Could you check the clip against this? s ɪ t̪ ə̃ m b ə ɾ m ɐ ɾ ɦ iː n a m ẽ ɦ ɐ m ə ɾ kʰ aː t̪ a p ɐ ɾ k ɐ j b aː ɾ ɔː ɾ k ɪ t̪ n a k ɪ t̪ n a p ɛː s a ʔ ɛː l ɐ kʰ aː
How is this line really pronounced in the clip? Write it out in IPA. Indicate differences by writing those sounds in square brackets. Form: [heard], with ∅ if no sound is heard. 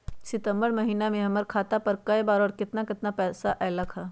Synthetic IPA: s ɪ t̪ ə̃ m b ə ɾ m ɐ [∅] ɦ iː n a m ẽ ɦ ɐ m ə ɾ kʰ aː t̪ a p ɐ ɾ k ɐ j b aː ɾ ɔː ɾ k ɪ t̪ n a k ɪ t̪ n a p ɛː s a ʔ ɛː l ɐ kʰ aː